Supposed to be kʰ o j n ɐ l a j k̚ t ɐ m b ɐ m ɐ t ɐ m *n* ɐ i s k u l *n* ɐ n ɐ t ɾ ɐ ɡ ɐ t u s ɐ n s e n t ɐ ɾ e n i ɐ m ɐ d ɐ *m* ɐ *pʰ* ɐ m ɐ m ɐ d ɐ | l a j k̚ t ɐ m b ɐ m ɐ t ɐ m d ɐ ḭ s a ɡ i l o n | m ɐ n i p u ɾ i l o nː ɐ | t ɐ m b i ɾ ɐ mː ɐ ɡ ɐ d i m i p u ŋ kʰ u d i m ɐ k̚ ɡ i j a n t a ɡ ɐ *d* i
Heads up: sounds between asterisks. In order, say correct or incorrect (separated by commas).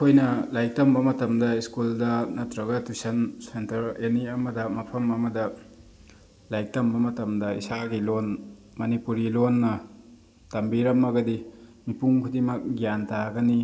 incorrect, incorrect, correct, correct, incorrect